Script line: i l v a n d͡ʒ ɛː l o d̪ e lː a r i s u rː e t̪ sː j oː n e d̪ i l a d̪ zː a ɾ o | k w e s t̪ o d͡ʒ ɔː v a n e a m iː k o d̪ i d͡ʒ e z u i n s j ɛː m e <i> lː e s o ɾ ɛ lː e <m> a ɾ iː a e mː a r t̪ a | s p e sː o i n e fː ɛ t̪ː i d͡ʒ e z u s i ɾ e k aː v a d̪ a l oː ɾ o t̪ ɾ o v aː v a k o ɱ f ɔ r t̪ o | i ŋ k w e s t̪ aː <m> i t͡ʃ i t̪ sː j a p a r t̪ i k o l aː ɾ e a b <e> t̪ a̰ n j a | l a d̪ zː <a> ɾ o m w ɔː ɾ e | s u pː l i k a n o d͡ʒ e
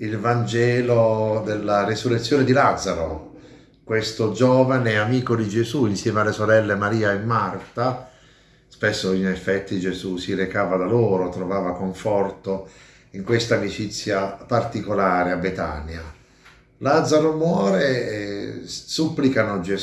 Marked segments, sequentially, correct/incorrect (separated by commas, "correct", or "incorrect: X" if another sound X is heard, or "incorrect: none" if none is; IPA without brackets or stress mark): incorrect: a, correct, correct, correct, correct